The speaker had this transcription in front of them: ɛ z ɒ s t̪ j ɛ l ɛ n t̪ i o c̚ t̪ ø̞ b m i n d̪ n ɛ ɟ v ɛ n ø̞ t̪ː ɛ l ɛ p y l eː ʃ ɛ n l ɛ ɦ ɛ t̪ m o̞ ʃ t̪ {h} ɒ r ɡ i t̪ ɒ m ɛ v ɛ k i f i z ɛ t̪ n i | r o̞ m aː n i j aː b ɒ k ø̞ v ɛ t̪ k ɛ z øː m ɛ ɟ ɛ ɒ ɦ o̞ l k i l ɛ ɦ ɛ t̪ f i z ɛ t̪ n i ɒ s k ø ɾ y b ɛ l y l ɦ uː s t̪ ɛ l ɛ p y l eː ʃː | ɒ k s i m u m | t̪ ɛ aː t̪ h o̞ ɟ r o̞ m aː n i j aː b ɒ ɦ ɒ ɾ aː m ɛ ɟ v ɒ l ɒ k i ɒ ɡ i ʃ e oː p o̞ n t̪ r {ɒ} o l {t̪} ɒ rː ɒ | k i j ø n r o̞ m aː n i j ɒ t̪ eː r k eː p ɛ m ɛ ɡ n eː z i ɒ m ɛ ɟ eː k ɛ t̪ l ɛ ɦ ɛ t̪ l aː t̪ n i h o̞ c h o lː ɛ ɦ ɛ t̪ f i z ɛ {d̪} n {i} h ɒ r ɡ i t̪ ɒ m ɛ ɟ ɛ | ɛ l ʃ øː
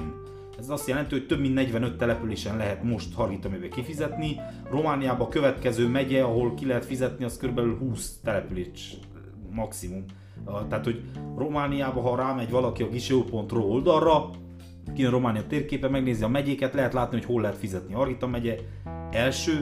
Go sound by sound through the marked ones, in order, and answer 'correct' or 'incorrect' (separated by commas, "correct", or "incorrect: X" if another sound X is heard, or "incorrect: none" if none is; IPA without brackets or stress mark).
correct, incorrect: o, incorrect: d̪, incorrect: t̪, correct